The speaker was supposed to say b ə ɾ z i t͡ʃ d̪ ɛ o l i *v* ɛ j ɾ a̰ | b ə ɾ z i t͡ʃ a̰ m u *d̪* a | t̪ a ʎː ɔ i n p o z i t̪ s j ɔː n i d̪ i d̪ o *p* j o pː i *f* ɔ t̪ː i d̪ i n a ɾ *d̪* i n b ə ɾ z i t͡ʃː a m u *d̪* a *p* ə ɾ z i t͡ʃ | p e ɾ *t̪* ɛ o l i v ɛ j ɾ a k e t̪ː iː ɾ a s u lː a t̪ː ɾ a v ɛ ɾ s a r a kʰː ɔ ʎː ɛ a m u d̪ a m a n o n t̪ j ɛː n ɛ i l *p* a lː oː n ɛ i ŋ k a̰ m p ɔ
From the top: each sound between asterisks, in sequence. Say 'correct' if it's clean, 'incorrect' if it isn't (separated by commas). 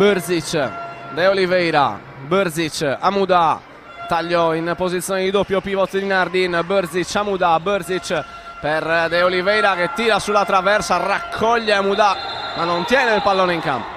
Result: correct, correct, correct, incorrect, correct, correct, incorrect, incorrect, correct